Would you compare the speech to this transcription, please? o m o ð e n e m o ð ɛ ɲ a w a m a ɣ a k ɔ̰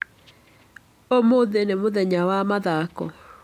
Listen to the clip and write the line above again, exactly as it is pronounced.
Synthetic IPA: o m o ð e n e m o ð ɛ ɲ a w a m a ð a k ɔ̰